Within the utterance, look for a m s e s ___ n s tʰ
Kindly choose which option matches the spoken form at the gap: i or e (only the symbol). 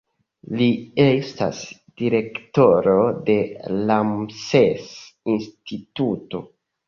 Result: i